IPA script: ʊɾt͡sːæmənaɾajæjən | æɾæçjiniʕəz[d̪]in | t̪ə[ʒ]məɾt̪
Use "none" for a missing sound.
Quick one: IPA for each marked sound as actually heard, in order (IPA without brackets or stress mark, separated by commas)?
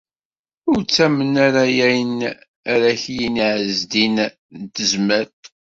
d̪, z